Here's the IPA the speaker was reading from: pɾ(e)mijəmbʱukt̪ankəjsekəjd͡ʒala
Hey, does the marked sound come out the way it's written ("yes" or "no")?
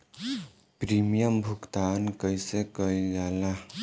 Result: no